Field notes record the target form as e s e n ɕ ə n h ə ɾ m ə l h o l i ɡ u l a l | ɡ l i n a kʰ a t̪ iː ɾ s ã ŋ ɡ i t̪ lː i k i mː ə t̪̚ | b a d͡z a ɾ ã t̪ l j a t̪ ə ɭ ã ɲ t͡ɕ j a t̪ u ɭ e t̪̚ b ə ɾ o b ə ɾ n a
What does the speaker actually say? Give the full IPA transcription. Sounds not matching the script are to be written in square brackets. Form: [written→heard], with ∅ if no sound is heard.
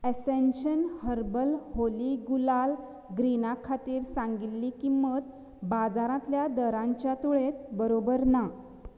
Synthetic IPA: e s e n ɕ ə n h ə ɾ [m→b] ə l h o l i ɡ u l a l | ɡ [l→ɾ] i n a kʰ a t̪ iː ɾ s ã ŋ ɡ i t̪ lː i k i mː ə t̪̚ | b a d͡z a ɾ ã t̪ l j a [t̪→d̪] ə [ɭ→ɾ] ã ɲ t͡ɕ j a t̪ u ɭ e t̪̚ b ə ɾ o b ə ɾ n a